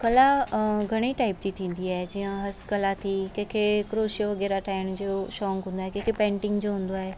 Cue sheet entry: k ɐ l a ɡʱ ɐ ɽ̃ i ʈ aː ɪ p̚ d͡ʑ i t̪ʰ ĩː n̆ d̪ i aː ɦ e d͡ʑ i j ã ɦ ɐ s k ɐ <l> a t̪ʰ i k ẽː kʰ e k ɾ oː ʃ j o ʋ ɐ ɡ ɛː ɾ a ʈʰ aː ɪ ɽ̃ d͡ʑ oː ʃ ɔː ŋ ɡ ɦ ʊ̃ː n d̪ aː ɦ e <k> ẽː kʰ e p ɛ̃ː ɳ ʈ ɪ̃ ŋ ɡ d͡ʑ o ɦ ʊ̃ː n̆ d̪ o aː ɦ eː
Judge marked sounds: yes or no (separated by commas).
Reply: yes, yes